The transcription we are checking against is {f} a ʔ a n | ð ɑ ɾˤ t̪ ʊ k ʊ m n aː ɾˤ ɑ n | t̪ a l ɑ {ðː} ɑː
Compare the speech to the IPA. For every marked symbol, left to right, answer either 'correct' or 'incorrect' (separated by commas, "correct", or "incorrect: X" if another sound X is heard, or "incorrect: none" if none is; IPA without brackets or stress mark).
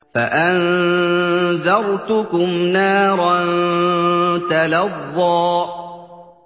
correct, correct